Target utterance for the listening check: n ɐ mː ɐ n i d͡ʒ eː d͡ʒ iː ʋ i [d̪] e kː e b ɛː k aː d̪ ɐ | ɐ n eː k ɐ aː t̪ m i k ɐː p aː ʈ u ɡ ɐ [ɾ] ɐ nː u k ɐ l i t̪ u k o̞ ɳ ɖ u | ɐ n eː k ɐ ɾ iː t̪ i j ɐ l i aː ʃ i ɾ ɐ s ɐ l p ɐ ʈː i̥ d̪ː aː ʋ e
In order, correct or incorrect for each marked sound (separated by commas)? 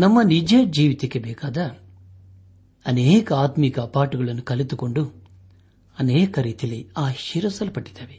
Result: incorrect, incorrect